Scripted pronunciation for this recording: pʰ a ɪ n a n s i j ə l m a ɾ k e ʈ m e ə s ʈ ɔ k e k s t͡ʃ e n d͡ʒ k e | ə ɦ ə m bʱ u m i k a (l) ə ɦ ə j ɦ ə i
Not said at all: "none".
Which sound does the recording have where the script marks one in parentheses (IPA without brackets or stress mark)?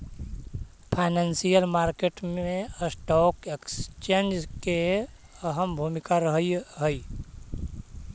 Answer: ɾ